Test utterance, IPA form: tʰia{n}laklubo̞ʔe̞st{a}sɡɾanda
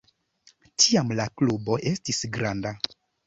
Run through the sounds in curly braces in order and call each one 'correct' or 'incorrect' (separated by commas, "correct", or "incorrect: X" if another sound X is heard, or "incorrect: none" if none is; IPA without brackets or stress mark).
incorrect: m, incorrect: i